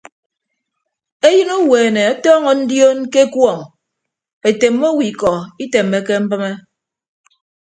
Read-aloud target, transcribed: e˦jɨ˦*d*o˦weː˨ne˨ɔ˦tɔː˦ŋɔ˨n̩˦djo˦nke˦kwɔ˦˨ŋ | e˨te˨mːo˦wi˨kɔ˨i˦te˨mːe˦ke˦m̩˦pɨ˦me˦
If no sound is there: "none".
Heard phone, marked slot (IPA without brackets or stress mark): n